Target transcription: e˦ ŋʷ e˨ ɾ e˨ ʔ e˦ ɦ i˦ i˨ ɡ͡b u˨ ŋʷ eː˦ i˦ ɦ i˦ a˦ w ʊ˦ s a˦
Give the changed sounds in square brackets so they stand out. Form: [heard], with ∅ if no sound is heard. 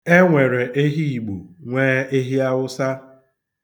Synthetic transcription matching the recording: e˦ ŋʷ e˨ ɾ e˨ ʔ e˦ ɦ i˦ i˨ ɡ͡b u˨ ŋʷ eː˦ [e˦] ɦ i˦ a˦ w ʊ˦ s a˦